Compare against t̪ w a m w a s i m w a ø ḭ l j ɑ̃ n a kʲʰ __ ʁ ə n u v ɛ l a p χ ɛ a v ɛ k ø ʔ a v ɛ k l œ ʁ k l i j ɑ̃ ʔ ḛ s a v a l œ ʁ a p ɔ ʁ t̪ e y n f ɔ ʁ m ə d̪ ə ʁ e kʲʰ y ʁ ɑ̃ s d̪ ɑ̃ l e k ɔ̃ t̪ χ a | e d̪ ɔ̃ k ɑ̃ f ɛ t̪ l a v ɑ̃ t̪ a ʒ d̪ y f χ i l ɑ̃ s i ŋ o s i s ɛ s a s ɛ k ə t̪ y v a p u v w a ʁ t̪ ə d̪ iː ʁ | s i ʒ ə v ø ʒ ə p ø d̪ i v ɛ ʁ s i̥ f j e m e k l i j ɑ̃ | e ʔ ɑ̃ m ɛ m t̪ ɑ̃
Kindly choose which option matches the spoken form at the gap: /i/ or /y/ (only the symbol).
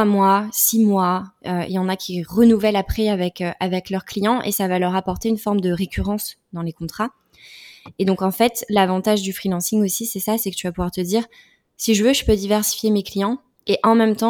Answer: i